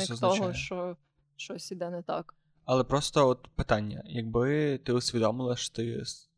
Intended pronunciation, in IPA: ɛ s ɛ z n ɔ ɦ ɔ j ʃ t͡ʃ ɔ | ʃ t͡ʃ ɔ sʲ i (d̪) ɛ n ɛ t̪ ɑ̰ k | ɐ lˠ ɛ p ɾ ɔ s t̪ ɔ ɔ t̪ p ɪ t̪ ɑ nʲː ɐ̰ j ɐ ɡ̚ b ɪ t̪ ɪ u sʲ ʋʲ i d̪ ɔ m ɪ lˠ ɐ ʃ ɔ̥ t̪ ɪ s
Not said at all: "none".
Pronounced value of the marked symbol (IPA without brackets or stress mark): d̪